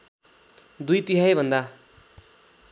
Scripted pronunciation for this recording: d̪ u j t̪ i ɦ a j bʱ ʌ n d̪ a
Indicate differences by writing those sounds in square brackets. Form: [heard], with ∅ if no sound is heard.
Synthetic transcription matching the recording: d̪ u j t̪ i ɦ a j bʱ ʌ n d̪ a